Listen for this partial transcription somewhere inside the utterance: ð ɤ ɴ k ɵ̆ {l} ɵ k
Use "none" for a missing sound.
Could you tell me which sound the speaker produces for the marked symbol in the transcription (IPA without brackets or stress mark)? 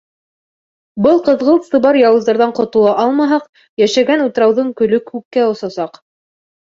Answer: l